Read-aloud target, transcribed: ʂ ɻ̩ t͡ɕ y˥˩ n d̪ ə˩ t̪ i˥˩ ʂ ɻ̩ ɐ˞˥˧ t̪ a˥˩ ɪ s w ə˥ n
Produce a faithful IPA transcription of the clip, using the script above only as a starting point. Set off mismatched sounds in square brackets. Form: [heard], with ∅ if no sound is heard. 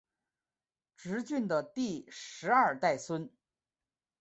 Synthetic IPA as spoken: [ʈ͡ʂ] ɻ̩ t͡ɕ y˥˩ n d̪ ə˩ t̪ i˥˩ ʂ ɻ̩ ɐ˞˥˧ t̪ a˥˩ ɪ s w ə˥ n